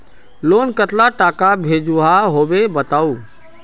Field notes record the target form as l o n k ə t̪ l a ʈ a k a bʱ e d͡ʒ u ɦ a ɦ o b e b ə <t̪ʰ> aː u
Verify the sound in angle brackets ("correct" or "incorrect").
incorrect